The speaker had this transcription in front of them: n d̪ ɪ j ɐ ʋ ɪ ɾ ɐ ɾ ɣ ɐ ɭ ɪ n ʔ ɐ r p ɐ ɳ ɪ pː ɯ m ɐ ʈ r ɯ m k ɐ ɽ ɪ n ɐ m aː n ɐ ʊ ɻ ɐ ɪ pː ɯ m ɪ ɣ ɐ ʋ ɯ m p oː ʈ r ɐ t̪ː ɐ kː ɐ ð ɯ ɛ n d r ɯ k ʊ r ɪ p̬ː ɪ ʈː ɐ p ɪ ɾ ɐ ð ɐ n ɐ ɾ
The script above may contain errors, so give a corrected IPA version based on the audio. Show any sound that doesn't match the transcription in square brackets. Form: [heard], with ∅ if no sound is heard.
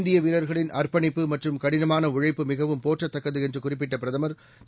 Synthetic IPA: n d̪ ɪ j ɐ ʋ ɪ ɾ ɐ ɾ ɣ ɐ ɭ ɪ n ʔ ɐ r p ɐ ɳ ɪ pː ɯ m ɐ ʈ r ɯ m k ɐ ɽ ɪ n ɐ m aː n ɐ ʊ ɻ ɐ ɪ pː ɯ m ɪ ɣ ɐ ʋ ɯ m p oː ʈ r ɐ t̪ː ɐ kː ɐ ð ɯ ɛ n d r ɯ k ʊ r ɪ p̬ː ɪ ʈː ɐ p ɪ ɾ ɐ ð ɐ [m] ɐ ɾ

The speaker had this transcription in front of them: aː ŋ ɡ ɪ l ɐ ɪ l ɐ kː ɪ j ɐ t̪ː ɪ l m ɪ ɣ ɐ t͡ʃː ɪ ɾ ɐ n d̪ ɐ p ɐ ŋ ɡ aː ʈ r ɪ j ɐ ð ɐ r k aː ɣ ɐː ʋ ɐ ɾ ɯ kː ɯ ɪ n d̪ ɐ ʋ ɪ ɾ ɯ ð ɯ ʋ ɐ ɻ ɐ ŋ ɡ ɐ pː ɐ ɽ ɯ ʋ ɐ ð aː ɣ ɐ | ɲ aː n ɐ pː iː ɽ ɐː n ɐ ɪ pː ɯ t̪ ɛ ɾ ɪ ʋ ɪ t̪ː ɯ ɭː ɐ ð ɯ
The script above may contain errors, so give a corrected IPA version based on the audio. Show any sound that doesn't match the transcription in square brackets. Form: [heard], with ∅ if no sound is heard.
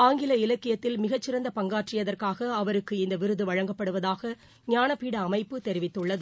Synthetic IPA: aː ŋ ɡ ɪ l ɐ ɪ l ɐ kː ɪ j ɐ t̪ː ɪ l m ɪ ɣ ɐ t͡ʃː ɪ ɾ ɐ n d̪ ɐ p ɐ ŋ ɡ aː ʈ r ɪ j ɐ ð ɐ r k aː ɣ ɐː ʋ ɐ ɾ ɯ kː ɯ ɪ n d̪ ɐ ʋ ɪ ɾ ɯ ð ɯ ʋ ɐ ɻ ɐ ŋ ɡ ɐ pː ɐ ɽ ɯ ʋ ɐ ð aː ɣ ɐ | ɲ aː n ɐ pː iː ɽ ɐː [m] ɐ ɪ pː ɯ t̪ ɛ ɾ ɪ ʋ ɪ t̪ː ɯ ɭː ɐ ð ɯ

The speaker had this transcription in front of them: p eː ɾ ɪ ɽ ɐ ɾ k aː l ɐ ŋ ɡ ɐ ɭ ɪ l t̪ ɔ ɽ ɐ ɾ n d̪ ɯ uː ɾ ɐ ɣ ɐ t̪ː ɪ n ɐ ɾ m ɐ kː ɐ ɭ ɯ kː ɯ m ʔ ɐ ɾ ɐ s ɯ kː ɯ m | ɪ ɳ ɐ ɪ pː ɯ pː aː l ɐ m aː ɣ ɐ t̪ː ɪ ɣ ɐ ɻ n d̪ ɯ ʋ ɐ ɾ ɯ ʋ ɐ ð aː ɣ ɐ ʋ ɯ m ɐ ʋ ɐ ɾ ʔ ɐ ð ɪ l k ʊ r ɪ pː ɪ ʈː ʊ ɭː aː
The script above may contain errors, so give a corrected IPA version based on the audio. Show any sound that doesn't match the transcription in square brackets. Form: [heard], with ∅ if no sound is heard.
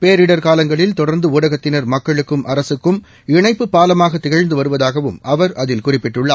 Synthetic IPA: p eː ɾ ɪ ɽ ɐ ɾ k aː l ɐ ŋ ɡ ɐ ɭ ɪ l t̪ ɔ ɽ ɐ ɾ n d̪ ɯ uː [ɽ] ɐ ɣ ɐ t̪ː ɪ n ɐ ɾ m ɐ kː ɐ ɭ ɯ kː ɯ m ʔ ɐ ɾ ɐ s ɯ kː ɯ m | ɪ ɳ ɐ ɪ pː ɯ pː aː l ɐ m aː ɣ ɐ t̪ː ɪ ɣ ɐ ɻ n d̪ ɯ ʋ ɐ ɾ ɯ ʋ ɐ ð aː ɣ ɐ ʋ ɯ m ɐ ʋ ɐ ɾ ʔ ɐ ð ɪ l k ʊ r ɪ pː ɪ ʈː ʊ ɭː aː

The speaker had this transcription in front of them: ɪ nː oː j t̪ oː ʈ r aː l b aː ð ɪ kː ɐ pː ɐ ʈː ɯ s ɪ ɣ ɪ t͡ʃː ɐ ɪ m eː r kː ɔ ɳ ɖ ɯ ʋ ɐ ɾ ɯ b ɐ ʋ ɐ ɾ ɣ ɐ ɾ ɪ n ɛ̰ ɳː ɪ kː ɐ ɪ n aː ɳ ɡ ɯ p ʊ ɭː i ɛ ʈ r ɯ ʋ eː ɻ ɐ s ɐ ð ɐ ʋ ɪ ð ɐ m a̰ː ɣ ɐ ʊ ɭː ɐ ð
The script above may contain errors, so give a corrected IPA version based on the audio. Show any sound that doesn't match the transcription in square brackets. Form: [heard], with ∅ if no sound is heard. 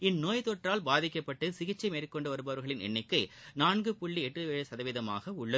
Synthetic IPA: ɪ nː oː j t̪ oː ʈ r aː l b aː ð ɪ kː ɐ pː ɐ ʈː ɯ s ɪ ɣ ɪ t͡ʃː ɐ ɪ m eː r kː ɔ ɳ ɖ ɯ ʋ ɐ ɾ ɯ b ɐ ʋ ɐ ɾ ɣ ɐ [ɭ] ɪ n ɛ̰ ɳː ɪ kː ɐ ɪ n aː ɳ ɡ ɯ p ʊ ɭː i ɛ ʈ r ɯ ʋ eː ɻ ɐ s ɐ ð ɐ ʋ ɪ ð ɐ m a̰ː ɣ ɐ ʊ ɭː ɐ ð

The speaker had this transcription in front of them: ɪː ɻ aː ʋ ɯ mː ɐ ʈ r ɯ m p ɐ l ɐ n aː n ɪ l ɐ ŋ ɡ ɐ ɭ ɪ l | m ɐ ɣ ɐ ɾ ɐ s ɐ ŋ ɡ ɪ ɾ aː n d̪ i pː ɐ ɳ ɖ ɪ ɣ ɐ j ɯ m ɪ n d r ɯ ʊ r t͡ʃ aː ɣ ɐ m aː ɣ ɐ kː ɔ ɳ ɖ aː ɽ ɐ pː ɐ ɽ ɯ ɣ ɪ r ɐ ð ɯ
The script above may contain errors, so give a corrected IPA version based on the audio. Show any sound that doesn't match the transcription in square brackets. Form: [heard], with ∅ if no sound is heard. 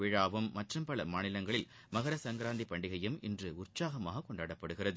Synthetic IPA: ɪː ɻ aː ʋ ɯ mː ɐ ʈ r ɯ m p ɐ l ɐ [m] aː n ɪ l ɐ ŋ ɡ ɐ ɭ ɪ l | m ɐ ɣ ɐ ɾ ɐ s ɐ ŋ ɡ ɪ ɾ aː n d̪ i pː ɐ ɳ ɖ ɪ ɣ ɐ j ɯ m ɪ n d r ɯ ʊ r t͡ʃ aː ɣ ɐ m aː ɣ ɐ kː ɔ ɳ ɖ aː ɽ ɐ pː ɐ ɽ ɯ ɣ ɪ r ɐ ð ɯ

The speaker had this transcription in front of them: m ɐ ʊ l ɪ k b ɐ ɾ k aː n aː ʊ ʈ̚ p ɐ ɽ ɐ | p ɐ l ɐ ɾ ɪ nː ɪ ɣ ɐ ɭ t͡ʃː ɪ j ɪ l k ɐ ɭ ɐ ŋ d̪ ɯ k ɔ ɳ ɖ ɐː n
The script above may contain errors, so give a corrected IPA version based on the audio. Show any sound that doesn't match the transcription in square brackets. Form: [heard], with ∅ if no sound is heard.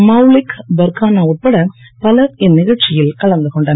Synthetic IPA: m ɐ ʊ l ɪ k b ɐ ɾ k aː n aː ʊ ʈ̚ p ɐ ɽ ɐ | p ɐ l ɐ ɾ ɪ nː ɪ ɣ ɐ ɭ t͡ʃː ɪ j ɪ l k ɐ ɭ ɐ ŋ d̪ ɯ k ɔ ɳ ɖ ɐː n

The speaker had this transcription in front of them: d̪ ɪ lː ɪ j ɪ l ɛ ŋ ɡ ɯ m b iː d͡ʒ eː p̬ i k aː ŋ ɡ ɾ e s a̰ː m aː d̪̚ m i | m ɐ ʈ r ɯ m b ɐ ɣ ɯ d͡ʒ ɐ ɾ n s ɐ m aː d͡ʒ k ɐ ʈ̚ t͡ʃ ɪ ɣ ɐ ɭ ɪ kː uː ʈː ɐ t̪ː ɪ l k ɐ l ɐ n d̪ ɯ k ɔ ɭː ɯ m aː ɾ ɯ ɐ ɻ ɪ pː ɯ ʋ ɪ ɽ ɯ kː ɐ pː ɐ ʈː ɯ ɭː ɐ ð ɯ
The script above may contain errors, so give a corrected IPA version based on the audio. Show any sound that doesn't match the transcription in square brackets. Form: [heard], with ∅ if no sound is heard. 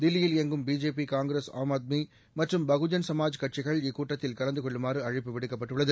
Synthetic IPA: d̪ ɪ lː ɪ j ɪ l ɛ ŋ ɡ ɯ m b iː d͡ʒ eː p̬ i k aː ŋ ɡ ɾ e s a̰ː m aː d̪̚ m i | m ɐ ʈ r ɯ m b ɐ ɣ ɯ d͡ʒ ɐ [∅] n s ɐ m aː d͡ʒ k ɐ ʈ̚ t͡ʃ ɪ ɣ ɐ ɭ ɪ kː uː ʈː ɐ t̪ː ɪ l k ɐ l ɐ n d̪ ɯ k ɔ ɭː ɯ m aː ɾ ɯ ɐ ɻ ɪ pː ɯ ʋ ɪ ɽ ɯ kː ɐ pː ɐ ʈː ɯ ɭː ɐ ð ɯ

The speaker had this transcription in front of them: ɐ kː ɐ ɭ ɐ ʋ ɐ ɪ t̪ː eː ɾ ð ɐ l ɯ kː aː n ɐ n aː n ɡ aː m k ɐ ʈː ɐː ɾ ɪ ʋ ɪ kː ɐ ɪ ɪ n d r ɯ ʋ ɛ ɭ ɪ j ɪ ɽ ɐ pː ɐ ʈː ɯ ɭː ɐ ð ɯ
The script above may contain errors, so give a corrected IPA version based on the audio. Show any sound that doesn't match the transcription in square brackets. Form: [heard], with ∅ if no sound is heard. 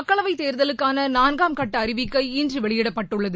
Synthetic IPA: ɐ kː ɐ ɭ ɐ ʋ ɐ ɪ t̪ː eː ɾ ð ɐ l ɯ kː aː n ɐ n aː n ɡ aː m k ɐ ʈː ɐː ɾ ɪ ʋ ɪ kː ɐ ɪ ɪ n d r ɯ ʋ ɛ ɭ ɪ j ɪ ɽ ɐ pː ɐ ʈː ɯ ɭː ɐ ð ɯ

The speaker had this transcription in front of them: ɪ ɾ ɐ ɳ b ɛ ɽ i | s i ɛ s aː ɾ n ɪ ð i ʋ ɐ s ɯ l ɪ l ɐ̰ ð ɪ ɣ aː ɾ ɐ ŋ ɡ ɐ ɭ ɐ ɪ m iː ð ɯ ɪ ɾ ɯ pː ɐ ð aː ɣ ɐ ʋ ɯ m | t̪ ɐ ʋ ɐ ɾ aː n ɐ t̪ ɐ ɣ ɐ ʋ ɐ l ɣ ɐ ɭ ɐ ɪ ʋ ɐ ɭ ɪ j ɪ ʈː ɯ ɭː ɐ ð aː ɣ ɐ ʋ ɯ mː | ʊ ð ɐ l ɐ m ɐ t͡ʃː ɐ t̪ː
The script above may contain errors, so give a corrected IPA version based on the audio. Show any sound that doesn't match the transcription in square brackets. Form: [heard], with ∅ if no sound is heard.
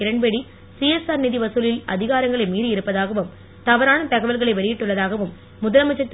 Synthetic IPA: ɪ ɾ ɐ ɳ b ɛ ɽ i | s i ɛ s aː ɾ n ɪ ð i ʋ ɐ s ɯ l ɪ l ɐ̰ ð ɪ ɣ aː ɾ ɐ ŋ ɡ ɐ ɭ ɐ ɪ m iː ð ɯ ɪ ɾ ɯ pː ɐ ð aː ɣ ɐ ʋ ɯ m | t̪ ɐ ʋ ɐ ɾ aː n ɐ t̪ ɐ ɣ ɐ ʋ ɐ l ɣ ɐ ɭ ɐ ɪ ʋ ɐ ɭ ɪ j ɪ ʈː ɯ ɭː ɐ ð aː ɣ ɐ ʋ ɯ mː | ʊ ð ɐ l ɐ m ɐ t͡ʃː ɐ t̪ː

